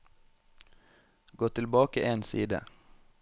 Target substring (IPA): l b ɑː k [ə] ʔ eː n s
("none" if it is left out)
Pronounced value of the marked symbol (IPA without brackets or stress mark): ə